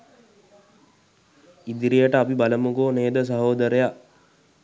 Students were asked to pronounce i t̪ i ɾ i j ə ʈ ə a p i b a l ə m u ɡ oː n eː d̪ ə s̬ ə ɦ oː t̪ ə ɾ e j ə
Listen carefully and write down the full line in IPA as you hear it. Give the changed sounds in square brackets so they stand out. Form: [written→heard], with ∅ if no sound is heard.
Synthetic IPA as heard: i [t̪→d̪] i ɾ i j ə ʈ ə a p i b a l ə m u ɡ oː n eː d̪ ə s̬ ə ɦ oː [t̪→d̪] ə ɾ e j [ə→a]